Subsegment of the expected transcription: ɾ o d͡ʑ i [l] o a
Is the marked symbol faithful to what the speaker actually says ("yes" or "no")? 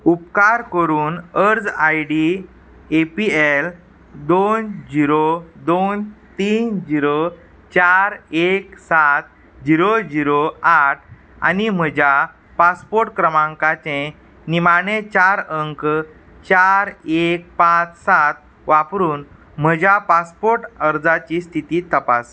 no